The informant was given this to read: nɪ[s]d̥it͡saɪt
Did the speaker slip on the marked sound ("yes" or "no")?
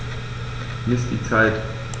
no